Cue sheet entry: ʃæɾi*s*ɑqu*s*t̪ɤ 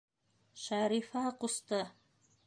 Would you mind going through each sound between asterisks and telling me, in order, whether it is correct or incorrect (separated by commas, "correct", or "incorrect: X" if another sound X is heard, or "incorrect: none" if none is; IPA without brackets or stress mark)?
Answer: incorrect: f, correct